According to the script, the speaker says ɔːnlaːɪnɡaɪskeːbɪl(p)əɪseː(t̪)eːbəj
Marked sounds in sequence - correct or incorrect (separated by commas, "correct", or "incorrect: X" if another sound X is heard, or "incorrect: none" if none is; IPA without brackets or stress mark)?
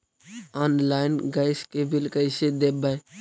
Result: incorrect: k, incorrect: d̪